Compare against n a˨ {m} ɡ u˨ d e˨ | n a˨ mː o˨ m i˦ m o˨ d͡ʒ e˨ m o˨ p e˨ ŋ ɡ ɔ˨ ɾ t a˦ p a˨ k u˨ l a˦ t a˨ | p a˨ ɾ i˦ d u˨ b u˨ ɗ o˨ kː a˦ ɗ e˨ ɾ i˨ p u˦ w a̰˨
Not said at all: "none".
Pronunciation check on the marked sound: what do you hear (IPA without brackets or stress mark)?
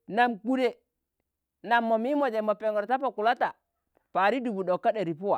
m